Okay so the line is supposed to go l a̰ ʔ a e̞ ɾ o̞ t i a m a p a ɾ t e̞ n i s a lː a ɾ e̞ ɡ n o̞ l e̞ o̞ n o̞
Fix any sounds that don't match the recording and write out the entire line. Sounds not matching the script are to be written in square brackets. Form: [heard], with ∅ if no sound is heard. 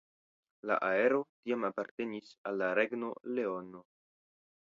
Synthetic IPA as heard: l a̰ ʔ a e̞ ɾ o̞ t i a m a p a ɾ t e̞ n i s a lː a ɾ e̞ ɡ n o̞ l e̞ o̞ n o̞